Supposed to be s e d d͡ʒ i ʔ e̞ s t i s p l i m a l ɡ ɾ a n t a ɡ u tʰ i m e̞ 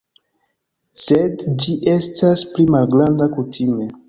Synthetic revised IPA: s e d d͡ʒ i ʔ e̞ s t a s p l i m a l ɡ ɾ a n d a k u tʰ i m e̞

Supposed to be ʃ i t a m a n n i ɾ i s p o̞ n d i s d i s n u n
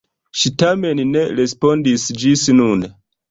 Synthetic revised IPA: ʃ i t a m e n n e ɾ e s p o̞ n d i s d͡ʒ i s n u n

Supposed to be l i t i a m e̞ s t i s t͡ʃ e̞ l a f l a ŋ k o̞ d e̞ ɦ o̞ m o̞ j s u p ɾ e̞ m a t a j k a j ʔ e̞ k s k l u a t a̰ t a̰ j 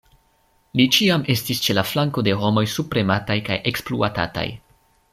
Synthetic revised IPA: l i t͡ʃ i a m e̞ s t i s t͡ʃ e̞ l a f l a ŋ k o̞ d e̞ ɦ o̞ m o̞ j s u p ɾ e̞ m a t a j k a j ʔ e̞ k s p l u a t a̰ t a̰ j

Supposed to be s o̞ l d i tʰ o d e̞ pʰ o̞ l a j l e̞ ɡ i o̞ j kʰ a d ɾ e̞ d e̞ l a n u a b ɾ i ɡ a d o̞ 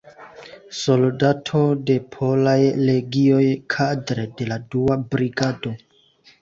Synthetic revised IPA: s o̞ l d a tʰ o d e̞ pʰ o̞ l a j l e̞ ɡ i o̞ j kʰ a d ɾ e̞ d e̞ l a d u a b ɾ i ɡ a d o̞

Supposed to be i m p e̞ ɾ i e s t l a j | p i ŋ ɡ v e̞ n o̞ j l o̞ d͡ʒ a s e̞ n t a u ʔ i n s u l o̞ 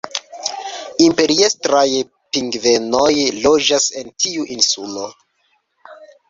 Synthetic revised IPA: i m p e̞ ɾ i e s t ɾ a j | p i ŋ ɡ v e̞ n o̞ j l o̞ d͡ʒ a s e̞ n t i u ʔ i n s u l o̞

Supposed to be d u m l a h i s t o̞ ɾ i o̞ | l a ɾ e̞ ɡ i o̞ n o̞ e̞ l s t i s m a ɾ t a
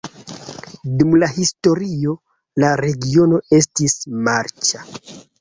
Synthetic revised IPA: d u m l a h i s t o̞ ɾ i o̞ | l a ɾ e̞ ɡ i o̞ n o̞ e̞ s t i s m a ɾ t͡ʃ a

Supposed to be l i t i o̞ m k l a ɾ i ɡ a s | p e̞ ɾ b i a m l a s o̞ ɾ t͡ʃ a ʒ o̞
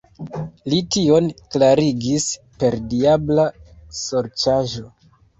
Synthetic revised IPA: l i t i o̞ n k l a ɾ i ɡ i s | p e̞ ɾ d i a b l a s o̞ ɾ t͡ʃ a ʒ o̞

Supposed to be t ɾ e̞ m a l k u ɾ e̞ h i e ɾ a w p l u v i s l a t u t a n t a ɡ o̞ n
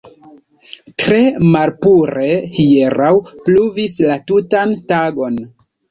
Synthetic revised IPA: t ɾ e̞ m a l p u ɾ e̞ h i e ɾ a w p l u v i s l a t u t a n t a ɡ o̞ n

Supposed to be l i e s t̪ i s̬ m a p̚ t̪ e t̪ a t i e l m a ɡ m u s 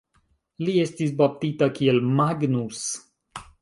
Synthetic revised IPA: l i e s t̪ i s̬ b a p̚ t̪ i t̪ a k i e l m a ɡ n u s

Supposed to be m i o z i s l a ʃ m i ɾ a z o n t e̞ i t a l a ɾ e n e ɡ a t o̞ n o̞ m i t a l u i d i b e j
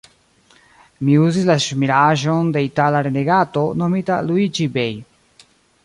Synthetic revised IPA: m i u z i s l a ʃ m i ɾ a ʒ o n d e̞ i t a l a ɾ e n e ɡ a t o̞ n o̞ m i t a l u i d͡ʒ i b e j

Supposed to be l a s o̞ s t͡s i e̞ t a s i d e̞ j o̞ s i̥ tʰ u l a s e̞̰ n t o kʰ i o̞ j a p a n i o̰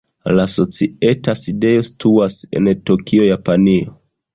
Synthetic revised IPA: l a s o̞ t͡s i e̞ t a s i d e̞ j o̞ s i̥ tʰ u a s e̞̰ n t o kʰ i o̞ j a p a n i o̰

